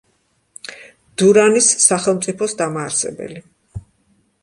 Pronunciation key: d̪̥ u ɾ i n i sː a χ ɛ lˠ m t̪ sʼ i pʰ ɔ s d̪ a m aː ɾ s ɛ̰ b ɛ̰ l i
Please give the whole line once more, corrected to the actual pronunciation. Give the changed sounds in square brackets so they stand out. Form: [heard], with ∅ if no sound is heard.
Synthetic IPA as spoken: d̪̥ u ɾ [a] n i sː a χ ɛ lˠ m t̪ sʼ i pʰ ɔ s d̪ a m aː ɾ s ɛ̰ b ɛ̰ l i